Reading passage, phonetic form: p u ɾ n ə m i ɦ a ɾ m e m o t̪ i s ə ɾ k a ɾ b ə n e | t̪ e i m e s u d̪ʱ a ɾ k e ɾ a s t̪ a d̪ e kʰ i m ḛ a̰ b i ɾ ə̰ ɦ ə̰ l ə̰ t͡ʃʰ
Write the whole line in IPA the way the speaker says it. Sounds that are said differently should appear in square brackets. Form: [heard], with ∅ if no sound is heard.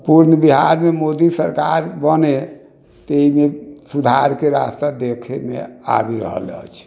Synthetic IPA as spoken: p u ɾ n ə [b] i ɦ a ɾ m e m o [d̪] i s ə ɾ k a ɾ b ə n e | t̪ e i m e s u d̪ʱ a ɾ k e ɾ a s t̪ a d̪ e kʰ [e] m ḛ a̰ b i ɾ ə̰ ɦ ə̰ l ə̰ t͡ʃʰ

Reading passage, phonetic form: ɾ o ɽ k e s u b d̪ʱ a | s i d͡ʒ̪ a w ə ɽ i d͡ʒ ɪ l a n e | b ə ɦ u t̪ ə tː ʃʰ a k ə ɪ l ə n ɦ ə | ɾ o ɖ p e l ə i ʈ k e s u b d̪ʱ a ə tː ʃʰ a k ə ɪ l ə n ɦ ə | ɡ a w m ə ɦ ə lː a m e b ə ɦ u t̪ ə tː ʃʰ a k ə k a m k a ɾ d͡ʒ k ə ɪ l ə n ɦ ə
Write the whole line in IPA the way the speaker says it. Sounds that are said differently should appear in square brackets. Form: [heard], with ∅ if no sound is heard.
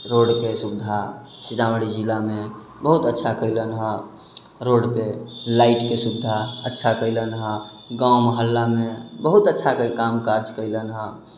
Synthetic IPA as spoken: ɾ o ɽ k e s u b d̪ʱ a | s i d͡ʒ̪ a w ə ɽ i d͡ʒ [i] l a [m] e | b ə ɦ u t̪ ə tː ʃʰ a k ə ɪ l ə n ɦ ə | ɾ o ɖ p e l [a] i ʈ k e s u b d̪ʱ a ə tː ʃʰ a k ə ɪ l ə n ɦ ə | ɡ a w m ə ɦ ə lː a m e b ə ɦ u t̪ ə tː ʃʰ a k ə k a m k a ɾ d͡ʒ k ə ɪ l ə n ɦ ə

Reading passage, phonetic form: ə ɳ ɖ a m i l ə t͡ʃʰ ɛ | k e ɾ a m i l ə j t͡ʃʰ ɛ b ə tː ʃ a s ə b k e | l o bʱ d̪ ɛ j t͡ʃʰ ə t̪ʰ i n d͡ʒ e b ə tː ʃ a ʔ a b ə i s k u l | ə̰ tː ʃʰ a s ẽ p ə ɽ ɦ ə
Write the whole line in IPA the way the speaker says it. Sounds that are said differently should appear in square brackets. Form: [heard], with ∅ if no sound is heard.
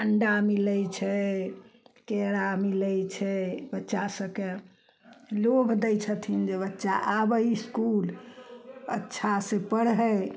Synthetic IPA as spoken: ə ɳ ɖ a m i l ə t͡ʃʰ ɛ | k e ɾ a m i l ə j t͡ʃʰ ɛ b ə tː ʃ a s ə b k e | l o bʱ d̪ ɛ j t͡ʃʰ ə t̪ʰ i n d͡ʒ e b ə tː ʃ a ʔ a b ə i s k u l | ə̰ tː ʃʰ a s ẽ p ə ɽ ɦ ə

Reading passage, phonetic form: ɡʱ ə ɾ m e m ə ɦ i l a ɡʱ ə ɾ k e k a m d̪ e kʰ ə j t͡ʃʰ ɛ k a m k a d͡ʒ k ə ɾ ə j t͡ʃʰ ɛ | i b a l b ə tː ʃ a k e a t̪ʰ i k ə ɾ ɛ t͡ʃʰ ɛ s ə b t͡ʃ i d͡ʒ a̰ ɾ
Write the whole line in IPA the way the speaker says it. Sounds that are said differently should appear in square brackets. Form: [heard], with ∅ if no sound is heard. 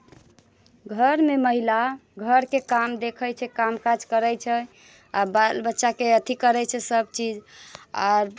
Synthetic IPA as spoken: ɡʱ ə ɾ m e m ə ɦ i l a ɡʱ ə ɾ k e k a m d̪ e kʰ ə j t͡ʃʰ ɛ k a m k a d͡ʒ k ə ɾ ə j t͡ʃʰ ɛ | [a] b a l b ə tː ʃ a k e [ə] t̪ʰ i k ə ɾ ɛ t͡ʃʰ ɛ s ə b t͡ʃ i d͡ʒ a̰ ɾ

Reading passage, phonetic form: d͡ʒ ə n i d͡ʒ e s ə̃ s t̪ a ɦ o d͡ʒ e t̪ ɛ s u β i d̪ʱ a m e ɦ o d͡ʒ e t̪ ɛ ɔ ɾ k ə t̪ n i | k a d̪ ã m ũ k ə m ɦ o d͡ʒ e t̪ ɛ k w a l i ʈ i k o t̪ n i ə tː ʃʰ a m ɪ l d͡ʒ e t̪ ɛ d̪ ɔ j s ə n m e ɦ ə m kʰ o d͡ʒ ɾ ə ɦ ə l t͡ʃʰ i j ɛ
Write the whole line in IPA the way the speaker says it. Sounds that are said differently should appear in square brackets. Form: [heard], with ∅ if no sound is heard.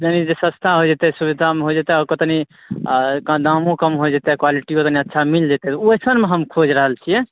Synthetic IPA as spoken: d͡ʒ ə n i d͡ʒ e s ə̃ s [t̪ʰ] a ɦ o d͡ʒ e t̪ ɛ s u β i d̪ʱ a m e ɦ o d͡ʒ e t̪ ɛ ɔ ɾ k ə t̪ n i | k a d̪ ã m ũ k ə m ɦ o d͡ʒ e t̪ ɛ k w a l i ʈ i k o t̪ n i ə tː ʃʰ a m [i] l d͡ʒ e t̪ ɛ [t̪] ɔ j s ə n m e ɦ ə m kʰ o d͡ʒ ɾ ə ɦ ə l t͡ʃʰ i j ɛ

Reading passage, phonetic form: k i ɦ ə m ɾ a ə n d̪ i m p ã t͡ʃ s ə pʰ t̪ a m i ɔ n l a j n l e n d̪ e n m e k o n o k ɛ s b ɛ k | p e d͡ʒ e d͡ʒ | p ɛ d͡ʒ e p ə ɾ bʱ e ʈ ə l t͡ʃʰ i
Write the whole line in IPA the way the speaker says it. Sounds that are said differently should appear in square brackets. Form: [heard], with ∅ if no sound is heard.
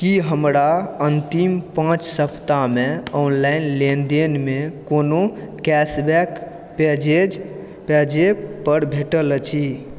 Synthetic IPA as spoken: k i ɦ ə m ɾ a ə n [t̪] i m p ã t͡ʃ s ə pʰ t̪ a m [e] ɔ n l a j n l e n d̪ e n m e k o n o k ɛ s b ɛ k | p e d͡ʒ e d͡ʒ | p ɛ d͡ʒ e p ə ɾ bʱ e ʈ ə l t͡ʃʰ i

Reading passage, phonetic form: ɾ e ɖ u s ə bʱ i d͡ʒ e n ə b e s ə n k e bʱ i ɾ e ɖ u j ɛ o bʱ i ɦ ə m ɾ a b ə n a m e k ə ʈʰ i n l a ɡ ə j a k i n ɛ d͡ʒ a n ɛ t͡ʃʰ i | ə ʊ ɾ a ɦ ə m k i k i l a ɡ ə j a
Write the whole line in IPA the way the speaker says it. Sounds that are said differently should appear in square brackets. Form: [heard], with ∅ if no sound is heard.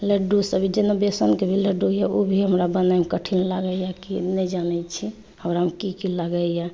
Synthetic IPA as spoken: [l] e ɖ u s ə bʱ i d͡ʒ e n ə b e s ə n k e bʱ i [l] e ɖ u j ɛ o bʱ i ɦ ə m ɾ a b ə n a m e k ə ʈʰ i n l a ɡ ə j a k i n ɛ d͡ʒ a n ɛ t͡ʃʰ i | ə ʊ ɾ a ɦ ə m k i k i l a ɡ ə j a

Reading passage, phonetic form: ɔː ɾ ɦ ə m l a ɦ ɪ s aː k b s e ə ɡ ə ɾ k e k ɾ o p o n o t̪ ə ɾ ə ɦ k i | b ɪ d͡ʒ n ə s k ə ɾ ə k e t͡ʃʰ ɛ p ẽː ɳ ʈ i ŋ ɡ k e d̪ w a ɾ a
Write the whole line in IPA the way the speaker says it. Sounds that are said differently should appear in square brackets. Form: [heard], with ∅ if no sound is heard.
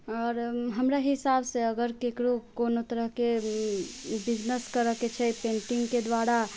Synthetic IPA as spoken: ɔː ɾ ɦ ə m [ɾ] a ɦ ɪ s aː [∅] b s e ə ɡ ə ɾ k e k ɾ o [k] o n o t̪ ə ɾ ə ɦ k [e] | b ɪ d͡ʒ n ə s k ə ɾ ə k e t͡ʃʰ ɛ p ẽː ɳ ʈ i ŋ ɡ k e d̪ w a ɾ a

